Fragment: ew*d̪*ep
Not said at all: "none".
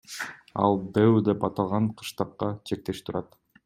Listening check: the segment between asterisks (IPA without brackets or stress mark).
d̪